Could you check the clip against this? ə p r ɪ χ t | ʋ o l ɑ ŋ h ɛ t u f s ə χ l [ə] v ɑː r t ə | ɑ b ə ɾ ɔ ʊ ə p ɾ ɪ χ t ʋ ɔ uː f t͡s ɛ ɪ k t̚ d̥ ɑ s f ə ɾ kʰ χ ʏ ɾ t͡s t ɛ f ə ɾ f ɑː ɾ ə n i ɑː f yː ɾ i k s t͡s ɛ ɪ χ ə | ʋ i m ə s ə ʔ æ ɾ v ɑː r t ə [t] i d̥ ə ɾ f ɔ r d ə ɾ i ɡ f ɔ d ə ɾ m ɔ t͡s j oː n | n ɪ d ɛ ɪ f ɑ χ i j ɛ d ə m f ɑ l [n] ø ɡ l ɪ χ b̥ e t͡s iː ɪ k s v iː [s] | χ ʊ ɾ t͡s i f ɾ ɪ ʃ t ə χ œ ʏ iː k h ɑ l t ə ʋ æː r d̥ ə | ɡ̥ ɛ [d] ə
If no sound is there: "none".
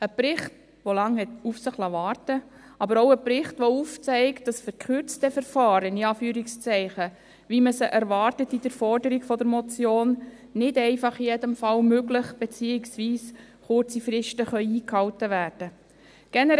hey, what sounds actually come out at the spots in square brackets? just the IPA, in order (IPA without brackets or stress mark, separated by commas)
ɑ, t, m, s, n